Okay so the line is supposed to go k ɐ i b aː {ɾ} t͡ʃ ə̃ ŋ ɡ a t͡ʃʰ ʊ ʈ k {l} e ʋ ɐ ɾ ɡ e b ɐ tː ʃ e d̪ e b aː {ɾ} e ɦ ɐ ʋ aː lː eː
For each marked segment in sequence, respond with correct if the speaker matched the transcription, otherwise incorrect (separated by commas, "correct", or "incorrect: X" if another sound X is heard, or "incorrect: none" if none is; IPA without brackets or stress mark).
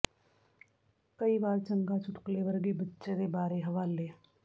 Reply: correct, correct, correct